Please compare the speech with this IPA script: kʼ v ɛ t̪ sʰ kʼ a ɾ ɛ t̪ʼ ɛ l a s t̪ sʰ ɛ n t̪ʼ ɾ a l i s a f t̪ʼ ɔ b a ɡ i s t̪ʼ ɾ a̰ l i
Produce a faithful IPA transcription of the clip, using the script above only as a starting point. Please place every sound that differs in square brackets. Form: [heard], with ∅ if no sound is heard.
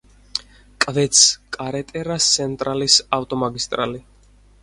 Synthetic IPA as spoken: kʼ v ɛ t̪ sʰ kʼ a ɾ ɛ t̪ʼ ɛ [ɾ] a s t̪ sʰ ɛ n t̪ʼ ɾ a l i s a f t̪ʼ ɔ [m] a ɡ i s t̪ʼ ɾ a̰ l i